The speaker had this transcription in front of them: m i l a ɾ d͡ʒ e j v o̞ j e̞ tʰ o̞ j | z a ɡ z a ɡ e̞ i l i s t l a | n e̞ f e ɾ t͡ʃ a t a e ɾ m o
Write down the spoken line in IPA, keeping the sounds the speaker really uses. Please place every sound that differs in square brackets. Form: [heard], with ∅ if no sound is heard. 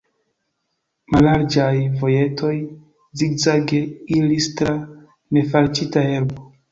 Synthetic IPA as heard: m [a] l a ɾ d͡ʒ [a] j v o̞ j e̞ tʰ o̞ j | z [i] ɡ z a ɡ e̞ i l i s t [ɾ] a | n e̞ f [a] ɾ t͡ʃ [i] t a e ɾ [b] o